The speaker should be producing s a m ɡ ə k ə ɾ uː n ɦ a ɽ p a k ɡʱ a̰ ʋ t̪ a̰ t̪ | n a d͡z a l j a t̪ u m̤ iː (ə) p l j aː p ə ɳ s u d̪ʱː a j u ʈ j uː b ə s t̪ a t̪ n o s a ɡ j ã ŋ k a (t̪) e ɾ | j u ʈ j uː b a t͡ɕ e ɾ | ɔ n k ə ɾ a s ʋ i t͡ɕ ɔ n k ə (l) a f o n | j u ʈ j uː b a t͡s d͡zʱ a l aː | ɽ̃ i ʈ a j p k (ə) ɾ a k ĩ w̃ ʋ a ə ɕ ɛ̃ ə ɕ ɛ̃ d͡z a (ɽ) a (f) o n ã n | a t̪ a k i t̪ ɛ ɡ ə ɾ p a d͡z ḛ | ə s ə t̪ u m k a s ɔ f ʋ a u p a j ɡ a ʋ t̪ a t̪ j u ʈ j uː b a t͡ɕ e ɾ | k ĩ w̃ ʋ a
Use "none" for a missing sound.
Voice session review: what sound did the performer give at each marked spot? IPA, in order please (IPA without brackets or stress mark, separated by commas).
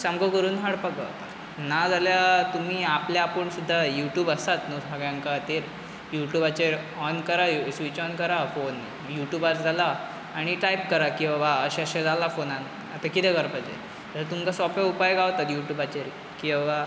a, t̪, ɾ, ə, l, f